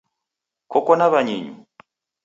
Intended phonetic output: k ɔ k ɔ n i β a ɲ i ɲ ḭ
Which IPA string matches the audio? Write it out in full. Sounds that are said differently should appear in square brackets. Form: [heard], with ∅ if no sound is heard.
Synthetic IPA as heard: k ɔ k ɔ n [a] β a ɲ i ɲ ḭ